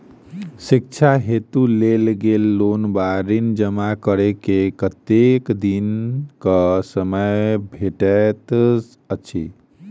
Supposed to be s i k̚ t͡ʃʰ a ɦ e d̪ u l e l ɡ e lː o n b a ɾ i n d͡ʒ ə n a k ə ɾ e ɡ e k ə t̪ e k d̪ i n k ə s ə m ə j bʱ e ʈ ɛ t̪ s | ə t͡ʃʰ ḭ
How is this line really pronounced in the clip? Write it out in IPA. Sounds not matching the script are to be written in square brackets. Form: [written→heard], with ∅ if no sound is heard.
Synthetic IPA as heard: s i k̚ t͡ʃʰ a ɦ e [d̪→t̪] u l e l ɡ e lː o n b a ɾ i n d͡ʒ ə [n→m] a k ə ɾ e [ɡ→k] e k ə t̪ e k d̪ i n k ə s ə m ə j bʱ e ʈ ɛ t̪ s | ə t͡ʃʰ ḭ

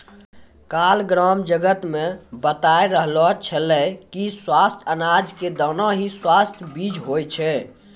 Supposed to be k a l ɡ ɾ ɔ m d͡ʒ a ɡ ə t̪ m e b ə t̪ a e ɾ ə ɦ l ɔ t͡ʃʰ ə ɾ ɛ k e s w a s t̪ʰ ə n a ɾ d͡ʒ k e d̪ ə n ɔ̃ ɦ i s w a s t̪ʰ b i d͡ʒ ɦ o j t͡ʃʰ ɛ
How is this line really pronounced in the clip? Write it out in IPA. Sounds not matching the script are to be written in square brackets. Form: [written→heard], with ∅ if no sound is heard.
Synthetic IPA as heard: k a l ɡ ɾ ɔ m d͡ʒ [a→ə] ɡ ə t̪ m e b ə t̪ a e ɾ ə ɦ l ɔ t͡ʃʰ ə [ɾ→l] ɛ k [e→i] s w a s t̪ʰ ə n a [ɾ→∅] d͡ʒ k e d̪ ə n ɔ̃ ɦ i s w a s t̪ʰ b i d͡ʒ ɦ o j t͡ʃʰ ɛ

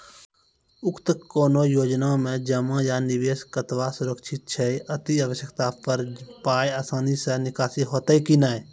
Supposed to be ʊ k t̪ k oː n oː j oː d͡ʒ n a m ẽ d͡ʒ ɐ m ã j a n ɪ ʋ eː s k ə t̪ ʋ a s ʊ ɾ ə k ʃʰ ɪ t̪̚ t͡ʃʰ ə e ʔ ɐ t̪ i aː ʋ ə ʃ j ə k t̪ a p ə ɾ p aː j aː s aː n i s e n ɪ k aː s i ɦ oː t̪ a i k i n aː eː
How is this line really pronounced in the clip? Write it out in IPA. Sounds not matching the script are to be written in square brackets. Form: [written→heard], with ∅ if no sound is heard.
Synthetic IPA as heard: ʊ k t̪ k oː n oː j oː d͡ʒ n a m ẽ d͡ʒ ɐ m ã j a n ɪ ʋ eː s k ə t̪ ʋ a s ʊ ɾ ə k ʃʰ ɪ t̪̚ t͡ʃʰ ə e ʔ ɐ t̪ i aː ʋ ə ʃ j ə k t̪ a p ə ɾ p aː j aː s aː n i s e n ɪ k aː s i ɦ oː t̪ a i k i n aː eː

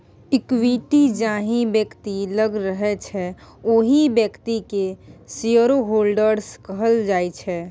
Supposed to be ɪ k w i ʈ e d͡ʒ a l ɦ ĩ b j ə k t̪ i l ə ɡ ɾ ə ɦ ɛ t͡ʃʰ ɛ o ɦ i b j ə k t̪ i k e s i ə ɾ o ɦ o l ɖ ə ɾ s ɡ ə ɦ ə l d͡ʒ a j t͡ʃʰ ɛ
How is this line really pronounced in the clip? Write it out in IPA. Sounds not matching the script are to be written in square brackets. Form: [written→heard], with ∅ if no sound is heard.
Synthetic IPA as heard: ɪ k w i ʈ [e→i] d͡ʒ a [l→∅] ɦ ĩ b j ə k t̪ i l ə ɡ ɾ ə ɦ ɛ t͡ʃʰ ɛ o ɦ i b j ə k t̪ i k e s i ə ɾ o ɦ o l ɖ ə ɾ s [ɡ→k] ə ɦ ə l d͡ʒ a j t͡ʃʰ ɛ

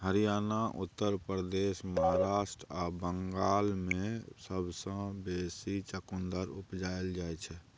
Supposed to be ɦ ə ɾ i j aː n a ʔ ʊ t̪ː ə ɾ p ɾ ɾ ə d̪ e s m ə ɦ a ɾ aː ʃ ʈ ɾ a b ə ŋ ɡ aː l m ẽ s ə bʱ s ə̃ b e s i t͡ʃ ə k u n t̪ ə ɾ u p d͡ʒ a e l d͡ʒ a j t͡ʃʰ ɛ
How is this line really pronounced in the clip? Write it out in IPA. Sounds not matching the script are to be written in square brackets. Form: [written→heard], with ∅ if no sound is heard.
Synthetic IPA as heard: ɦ ə ɾ i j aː n a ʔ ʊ t̪ː ə ɾ p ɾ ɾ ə d̪ e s m ə ɦ a ɾ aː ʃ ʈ ɾ a b ə ŋ ɡ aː l m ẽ s ə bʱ s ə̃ b e s i t͡ʃ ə k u n [t̪→d̪] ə ɾ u p d͡ʒ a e l d͡ʒ a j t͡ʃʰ ɛ

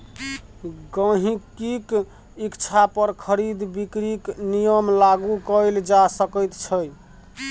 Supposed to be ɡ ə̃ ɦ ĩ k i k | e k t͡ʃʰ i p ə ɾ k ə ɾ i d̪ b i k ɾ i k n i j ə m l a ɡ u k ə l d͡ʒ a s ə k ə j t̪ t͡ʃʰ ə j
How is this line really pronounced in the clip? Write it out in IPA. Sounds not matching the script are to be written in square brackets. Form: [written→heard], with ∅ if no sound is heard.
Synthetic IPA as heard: ɡ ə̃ ɦ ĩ k i k | [e→i] k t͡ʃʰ [i→a] p ə ɾ [k→kʰ] ə ɾ i d̪ b i k ɾ i k n i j ə m l a ɡ u k ə l d͡ʒ a s ə k ə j t̪ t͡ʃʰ ə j

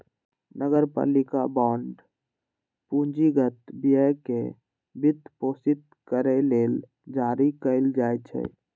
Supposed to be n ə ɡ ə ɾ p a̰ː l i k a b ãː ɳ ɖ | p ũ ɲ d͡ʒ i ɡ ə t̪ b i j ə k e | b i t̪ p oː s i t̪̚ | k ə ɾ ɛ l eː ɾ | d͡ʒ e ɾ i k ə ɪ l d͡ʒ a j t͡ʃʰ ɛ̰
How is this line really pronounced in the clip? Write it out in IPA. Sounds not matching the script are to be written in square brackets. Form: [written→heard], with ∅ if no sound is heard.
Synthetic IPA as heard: n ə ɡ ə ɾ p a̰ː l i k a b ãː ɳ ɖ | p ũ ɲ d͡ʒ i ɡ ə t̪ b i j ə k e | b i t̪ p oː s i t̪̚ | k ə ɾ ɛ l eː [ɾ→l] | d͡ʒ [e→a] ɾ i k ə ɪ l d͡ʒ a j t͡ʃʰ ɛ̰

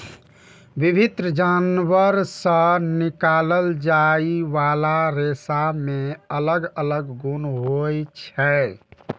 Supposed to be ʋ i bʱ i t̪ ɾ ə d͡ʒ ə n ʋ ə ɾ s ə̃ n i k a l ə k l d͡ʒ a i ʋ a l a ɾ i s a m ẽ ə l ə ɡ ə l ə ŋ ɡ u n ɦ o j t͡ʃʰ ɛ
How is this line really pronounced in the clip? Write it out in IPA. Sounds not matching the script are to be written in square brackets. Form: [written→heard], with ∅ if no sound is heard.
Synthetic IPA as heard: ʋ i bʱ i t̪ ɾ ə d͡ʒ [ə→a] n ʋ ə ɾ s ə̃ n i k a l ə [k→∅] l d͡ʒ a i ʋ a l a ɾ [i→e] s a m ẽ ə l ə ɡ ə l ə [ŋ→ɡ] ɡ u n ɦ o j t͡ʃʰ ɛ

